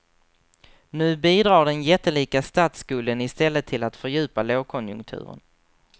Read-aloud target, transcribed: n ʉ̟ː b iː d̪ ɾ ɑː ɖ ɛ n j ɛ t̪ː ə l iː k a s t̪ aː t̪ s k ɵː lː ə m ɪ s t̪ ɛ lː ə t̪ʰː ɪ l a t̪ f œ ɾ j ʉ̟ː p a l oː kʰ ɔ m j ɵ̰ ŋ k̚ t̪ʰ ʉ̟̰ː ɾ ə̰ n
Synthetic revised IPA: n ʉ̟ː b iː d̪ ɾ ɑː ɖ ɛ n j ɛ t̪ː ə l iː k a s t̪ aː t̪ s k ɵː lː ə n ɪ s t̪ ɛ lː ə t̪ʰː ɪ l a t̪ f œ ɾ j ʉ̟ː p a l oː kʰ ɔ n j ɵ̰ ŋ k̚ t̪ʰ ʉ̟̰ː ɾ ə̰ n